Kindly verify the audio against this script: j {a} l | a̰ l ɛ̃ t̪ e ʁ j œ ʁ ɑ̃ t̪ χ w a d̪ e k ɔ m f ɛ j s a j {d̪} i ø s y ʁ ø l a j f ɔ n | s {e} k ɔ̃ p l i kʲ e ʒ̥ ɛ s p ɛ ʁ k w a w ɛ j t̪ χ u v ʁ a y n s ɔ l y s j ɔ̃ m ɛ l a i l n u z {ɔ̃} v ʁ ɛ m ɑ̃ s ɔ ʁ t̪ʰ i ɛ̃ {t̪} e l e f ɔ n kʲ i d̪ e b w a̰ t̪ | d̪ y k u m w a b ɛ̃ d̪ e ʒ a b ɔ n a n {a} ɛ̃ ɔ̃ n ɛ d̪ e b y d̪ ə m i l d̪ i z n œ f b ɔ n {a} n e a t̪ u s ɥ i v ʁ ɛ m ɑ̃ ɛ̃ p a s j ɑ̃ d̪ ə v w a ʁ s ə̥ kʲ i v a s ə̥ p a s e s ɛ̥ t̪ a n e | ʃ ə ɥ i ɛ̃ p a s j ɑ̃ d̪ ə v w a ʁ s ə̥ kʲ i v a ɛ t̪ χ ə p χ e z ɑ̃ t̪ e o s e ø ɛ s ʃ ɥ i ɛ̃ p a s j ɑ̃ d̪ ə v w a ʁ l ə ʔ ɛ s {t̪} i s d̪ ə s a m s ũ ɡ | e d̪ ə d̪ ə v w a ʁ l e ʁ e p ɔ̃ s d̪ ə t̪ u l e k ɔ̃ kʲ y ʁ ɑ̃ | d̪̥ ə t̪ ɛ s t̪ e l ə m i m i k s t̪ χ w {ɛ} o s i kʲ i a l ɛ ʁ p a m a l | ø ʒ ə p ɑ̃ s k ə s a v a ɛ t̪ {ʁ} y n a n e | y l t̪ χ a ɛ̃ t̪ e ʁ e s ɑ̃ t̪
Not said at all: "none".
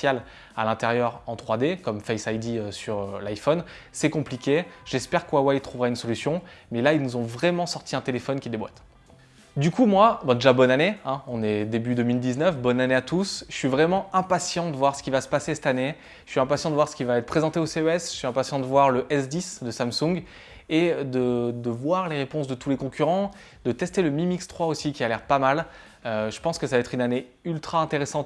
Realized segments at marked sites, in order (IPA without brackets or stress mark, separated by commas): a, d̪, ɛ, ɔ̃, t̪, e, a, d̪, a, χ